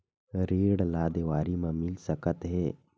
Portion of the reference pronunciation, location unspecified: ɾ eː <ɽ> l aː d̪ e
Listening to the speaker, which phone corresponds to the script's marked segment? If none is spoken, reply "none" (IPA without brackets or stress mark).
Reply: ɽ